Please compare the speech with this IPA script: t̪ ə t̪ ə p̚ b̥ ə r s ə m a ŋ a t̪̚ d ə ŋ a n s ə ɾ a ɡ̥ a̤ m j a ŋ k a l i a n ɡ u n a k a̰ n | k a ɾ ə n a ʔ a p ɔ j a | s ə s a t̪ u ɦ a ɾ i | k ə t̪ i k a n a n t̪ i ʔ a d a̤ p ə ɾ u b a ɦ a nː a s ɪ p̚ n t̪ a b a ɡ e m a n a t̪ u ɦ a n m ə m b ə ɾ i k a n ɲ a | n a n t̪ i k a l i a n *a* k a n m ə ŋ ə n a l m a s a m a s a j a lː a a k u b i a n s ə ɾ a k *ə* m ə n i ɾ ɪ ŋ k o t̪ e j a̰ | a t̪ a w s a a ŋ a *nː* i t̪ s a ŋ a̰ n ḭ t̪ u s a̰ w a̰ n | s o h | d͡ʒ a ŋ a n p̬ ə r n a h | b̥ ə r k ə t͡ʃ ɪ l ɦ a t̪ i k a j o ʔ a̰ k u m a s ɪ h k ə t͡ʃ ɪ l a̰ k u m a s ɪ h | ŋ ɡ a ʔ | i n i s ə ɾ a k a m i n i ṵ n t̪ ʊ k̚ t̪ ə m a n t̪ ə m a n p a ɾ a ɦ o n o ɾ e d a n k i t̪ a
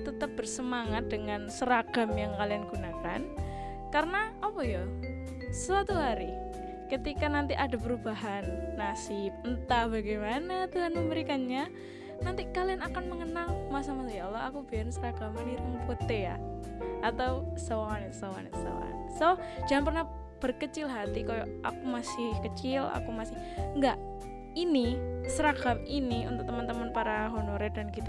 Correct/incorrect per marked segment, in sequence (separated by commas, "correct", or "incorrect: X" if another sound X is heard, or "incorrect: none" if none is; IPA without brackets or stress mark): correct, incorrect: a, incorrect: n